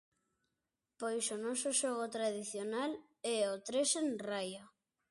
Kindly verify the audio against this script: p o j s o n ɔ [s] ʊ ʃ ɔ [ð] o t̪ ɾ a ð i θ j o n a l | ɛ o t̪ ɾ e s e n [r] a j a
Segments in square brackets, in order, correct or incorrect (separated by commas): correct, incorrect, correct